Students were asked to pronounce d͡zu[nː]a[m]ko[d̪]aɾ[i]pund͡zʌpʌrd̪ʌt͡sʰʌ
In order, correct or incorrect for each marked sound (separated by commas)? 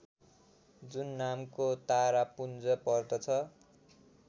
correct, correct, incorrect, incorrect